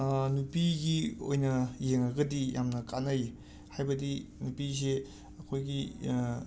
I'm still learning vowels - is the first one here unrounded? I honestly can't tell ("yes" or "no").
no